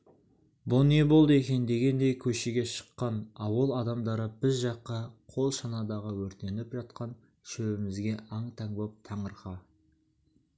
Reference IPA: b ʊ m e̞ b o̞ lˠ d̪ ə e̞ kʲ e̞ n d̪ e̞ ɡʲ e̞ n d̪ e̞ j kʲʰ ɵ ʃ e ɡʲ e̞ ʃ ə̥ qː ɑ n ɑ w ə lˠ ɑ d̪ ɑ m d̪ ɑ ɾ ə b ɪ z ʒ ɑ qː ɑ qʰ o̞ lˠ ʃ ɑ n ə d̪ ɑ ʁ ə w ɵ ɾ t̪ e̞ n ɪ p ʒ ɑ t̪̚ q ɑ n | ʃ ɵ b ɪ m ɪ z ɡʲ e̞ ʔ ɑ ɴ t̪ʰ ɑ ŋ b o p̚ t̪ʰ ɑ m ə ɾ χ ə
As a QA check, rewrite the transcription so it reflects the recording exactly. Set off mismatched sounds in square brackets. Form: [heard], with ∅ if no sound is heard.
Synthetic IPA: b ʊ [n] e̞ b o̞ lˠ d̪ ə e̞ kʲ e̞ n d̪ e̞ ɡʲ e̞ n d̪ e̞ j kʲʰ ɵ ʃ e ɡʲ e̞ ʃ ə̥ qː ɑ n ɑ w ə lˠ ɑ d̪ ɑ m d̪ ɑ ɾ ə b ɪ z ʒ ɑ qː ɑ qʰ o̞ lˠ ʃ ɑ n [ɑ] d̪ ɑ ʁ ə w ɵ ɾ t̪ e̞ n ɪ p ʒ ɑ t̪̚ q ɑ n | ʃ ɵ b ɪ m ɪ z ɡʲ e̞ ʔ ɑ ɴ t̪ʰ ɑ ŋ b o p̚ t̪ʰ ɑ [ɴ] ə ɾ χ [ɑ]